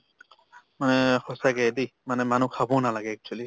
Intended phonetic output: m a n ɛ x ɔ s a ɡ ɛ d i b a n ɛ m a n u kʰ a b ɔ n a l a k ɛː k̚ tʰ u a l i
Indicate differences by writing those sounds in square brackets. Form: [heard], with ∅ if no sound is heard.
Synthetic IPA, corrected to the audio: m a n ɛ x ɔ s a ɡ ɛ d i [m] a n ɛ m a n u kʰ a b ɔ n a l a [ɡ] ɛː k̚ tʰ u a l i